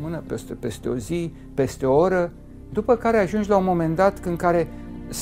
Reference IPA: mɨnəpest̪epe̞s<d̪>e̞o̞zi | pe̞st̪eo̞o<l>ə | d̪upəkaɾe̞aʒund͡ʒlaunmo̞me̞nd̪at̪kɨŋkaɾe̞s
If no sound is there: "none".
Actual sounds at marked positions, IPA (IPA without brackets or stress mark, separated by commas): t̪, ɾ